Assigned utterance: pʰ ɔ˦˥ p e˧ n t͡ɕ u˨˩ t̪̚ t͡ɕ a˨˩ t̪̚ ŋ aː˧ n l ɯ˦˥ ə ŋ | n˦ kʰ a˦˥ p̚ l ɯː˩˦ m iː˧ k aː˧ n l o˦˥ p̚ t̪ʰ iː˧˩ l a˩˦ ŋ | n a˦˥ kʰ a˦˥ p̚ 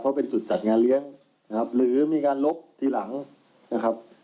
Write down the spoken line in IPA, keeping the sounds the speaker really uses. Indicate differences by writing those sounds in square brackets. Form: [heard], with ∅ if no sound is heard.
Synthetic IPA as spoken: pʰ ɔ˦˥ p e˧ n t͡ɕ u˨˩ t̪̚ t͡ɕ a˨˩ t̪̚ ŋ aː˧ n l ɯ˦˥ ə ŋ | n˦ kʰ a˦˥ p̚ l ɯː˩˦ m iː˧ k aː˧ n l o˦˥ p̚ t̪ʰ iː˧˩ l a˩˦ ŋ | n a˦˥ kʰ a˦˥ p̚